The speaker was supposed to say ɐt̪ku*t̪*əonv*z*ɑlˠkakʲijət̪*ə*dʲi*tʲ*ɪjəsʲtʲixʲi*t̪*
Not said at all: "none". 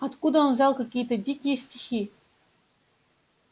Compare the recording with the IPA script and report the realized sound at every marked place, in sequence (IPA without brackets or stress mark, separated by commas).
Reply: d̪, z, ə, kʲ, none